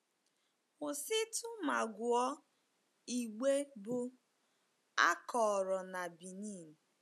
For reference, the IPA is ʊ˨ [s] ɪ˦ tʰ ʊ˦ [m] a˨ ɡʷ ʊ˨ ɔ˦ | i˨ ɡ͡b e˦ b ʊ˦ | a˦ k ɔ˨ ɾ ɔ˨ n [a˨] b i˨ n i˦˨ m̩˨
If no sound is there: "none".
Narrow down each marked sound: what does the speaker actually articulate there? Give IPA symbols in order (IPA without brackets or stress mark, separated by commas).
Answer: s, m, a˨